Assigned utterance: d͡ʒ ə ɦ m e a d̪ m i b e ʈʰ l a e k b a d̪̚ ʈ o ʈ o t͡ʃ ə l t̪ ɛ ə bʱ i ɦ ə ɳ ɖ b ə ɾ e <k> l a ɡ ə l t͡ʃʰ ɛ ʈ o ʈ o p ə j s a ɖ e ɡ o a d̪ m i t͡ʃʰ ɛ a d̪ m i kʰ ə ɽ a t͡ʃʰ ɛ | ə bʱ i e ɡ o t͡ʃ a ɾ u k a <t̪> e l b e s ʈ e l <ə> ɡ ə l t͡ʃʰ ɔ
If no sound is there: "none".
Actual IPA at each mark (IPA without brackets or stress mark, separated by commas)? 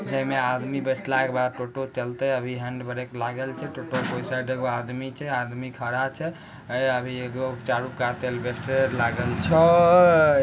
k, t̪, a